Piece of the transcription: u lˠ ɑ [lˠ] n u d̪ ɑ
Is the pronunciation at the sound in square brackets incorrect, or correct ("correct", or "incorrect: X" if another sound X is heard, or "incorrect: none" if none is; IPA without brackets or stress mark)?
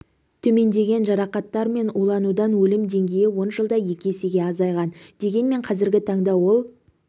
incorrect: none